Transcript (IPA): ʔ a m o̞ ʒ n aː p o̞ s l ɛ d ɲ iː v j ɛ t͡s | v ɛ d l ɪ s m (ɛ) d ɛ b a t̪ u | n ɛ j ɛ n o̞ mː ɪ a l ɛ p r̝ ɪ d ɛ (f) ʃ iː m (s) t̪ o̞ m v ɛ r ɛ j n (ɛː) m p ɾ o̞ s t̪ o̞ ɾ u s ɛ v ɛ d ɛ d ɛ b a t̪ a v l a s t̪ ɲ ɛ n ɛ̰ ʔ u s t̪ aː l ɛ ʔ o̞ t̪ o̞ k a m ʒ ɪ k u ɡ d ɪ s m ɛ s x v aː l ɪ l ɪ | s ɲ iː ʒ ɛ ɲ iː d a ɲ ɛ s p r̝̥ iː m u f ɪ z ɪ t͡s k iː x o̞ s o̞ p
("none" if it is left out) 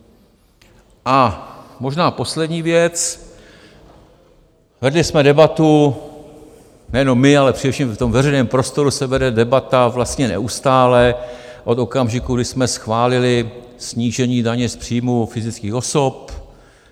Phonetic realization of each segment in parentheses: ɛ, f, f, ɛː

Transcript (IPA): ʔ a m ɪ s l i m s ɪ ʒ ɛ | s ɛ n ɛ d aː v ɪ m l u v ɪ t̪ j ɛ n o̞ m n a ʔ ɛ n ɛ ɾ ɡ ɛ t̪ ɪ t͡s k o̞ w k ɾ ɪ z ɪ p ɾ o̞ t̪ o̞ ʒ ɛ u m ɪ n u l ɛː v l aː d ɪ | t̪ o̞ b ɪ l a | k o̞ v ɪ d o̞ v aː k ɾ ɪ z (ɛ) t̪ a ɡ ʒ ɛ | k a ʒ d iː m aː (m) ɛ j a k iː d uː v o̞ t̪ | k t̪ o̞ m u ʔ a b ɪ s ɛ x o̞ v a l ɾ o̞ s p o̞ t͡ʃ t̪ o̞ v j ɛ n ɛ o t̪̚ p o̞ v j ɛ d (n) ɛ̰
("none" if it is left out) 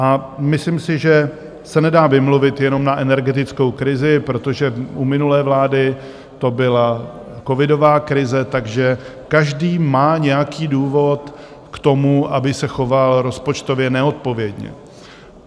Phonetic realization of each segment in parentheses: ɛ, ɲ, ɲ

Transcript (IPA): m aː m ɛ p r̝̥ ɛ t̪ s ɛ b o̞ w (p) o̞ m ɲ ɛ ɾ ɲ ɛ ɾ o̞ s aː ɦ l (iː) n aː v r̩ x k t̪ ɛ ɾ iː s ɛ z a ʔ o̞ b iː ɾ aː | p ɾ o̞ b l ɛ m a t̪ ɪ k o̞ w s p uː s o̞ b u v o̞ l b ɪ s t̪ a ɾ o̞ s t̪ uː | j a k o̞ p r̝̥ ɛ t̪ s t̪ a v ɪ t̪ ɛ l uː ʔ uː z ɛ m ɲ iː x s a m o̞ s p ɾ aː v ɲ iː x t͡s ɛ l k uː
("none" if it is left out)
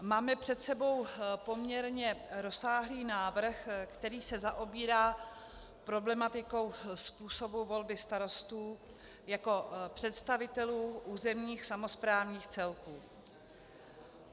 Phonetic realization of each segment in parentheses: p, iː

